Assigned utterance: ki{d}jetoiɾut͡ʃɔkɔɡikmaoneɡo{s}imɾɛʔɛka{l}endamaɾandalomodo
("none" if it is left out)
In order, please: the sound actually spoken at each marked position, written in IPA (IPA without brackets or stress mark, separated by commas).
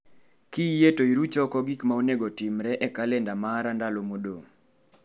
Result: none, t, l